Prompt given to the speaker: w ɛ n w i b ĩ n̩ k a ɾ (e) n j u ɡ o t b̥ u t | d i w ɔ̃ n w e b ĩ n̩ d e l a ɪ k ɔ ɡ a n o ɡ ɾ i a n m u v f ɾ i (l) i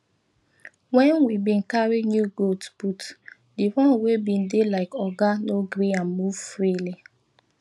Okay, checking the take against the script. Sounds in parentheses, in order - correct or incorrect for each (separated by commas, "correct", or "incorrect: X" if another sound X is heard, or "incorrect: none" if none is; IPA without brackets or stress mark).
incorrect: i, correct